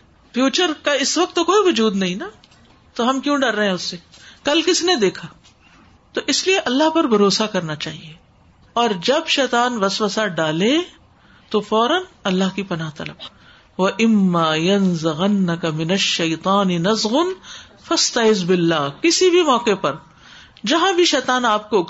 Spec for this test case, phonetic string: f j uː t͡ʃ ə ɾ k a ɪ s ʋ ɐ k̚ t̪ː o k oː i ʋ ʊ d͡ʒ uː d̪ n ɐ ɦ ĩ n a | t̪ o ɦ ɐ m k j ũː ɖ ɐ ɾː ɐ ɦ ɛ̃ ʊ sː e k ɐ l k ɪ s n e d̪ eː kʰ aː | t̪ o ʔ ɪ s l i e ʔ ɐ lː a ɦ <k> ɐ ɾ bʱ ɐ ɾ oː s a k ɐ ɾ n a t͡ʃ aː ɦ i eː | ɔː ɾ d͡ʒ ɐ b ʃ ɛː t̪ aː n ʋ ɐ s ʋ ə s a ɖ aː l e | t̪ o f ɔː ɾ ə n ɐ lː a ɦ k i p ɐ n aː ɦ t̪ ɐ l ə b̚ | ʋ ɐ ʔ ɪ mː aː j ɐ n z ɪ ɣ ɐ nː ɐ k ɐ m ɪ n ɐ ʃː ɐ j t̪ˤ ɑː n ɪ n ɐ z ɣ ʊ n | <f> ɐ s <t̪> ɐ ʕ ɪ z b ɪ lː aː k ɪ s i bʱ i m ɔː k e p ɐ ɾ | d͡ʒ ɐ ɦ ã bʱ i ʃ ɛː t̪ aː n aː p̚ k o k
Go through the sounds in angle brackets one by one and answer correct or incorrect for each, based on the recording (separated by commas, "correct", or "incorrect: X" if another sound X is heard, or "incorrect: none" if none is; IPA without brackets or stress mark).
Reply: incorrect: p, correct, correct